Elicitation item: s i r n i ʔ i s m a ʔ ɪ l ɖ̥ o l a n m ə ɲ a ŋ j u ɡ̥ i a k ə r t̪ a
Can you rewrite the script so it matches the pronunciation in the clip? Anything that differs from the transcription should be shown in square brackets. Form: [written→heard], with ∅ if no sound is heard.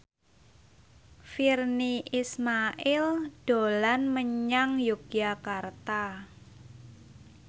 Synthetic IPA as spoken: [s→f] i r n i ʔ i s m a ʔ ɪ l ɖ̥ o l a n m ə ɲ a ŋ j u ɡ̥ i a k [ə→a] r t̪ a